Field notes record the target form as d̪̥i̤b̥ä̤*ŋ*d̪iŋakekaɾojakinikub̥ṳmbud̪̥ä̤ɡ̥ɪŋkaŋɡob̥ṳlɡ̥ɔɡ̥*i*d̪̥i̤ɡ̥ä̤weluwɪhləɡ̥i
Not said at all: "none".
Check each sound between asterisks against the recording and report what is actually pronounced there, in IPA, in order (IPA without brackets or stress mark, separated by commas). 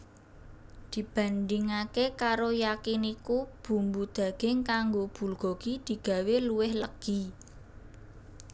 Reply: n, i